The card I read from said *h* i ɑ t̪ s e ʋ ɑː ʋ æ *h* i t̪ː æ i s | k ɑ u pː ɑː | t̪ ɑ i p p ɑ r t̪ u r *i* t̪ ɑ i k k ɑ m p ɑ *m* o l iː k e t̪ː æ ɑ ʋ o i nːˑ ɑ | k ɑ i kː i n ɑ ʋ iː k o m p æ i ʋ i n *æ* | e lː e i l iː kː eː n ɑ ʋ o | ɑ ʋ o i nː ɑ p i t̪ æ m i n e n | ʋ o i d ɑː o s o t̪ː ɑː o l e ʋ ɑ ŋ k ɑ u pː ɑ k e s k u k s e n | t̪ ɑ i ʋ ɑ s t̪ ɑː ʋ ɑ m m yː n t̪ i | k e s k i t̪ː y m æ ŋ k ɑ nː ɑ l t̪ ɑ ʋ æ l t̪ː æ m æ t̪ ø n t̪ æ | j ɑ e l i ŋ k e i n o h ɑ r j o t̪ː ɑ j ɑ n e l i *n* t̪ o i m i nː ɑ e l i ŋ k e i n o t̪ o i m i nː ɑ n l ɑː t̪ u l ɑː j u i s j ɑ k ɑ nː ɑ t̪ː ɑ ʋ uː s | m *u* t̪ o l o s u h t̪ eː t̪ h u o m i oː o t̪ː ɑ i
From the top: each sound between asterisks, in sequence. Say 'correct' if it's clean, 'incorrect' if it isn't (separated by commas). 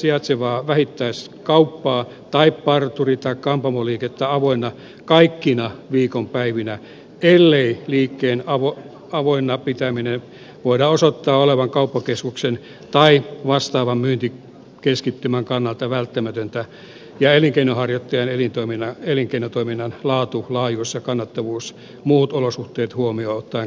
incorrect, correct, correct, correct, correct, correct, incorrect